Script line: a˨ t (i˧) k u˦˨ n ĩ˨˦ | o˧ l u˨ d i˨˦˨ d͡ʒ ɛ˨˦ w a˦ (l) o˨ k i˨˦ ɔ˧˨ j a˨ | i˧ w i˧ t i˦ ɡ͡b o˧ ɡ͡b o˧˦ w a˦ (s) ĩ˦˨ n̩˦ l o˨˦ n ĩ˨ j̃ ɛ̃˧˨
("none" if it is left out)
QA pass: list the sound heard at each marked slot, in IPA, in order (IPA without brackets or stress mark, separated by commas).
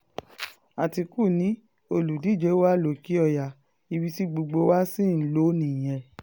i˧, l, s